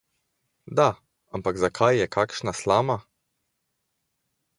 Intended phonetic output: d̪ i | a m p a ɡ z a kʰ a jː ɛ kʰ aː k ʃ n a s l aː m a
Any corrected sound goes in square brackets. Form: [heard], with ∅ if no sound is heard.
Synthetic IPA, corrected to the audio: d̪ [a] | a m p a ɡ z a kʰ a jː ɛ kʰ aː k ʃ n a s l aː m a